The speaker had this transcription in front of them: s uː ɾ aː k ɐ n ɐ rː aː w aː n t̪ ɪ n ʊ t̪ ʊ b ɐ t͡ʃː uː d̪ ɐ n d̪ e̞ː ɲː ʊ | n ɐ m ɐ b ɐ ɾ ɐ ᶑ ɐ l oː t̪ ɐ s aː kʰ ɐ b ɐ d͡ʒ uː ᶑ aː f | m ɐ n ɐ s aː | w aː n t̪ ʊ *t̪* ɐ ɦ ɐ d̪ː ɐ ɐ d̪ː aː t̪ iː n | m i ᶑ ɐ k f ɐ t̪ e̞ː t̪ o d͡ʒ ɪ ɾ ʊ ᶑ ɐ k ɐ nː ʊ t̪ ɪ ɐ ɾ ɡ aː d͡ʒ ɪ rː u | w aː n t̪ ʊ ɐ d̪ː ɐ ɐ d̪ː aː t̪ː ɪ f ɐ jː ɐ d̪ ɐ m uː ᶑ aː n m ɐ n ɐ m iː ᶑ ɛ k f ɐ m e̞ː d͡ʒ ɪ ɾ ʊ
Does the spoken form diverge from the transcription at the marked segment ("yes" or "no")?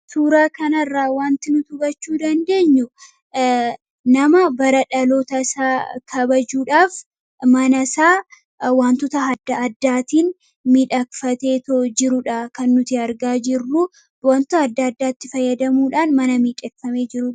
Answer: no